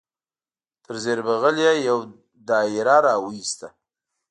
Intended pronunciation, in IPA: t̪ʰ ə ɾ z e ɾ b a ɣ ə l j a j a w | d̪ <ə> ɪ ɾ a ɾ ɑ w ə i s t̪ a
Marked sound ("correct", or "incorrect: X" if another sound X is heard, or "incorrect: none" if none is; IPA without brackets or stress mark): incorrect: ɑ